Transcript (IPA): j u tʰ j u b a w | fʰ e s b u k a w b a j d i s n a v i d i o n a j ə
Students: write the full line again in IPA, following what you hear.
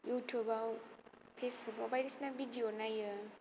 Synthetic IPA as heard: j u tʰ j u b a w | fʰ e s b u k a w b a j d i s n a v i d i o n a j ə